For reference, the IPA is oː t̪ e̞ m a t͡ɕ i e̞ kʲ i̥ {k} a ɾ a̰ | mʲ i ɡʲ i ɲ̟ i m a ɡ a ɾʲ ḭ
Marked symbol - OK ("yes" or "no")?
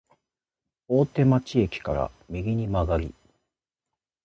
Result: yes